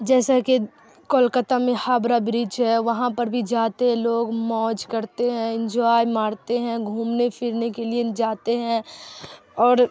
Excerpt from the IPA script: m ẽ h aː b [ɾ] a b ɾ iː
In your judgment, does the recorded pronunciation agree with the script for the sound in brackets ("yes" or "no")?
yes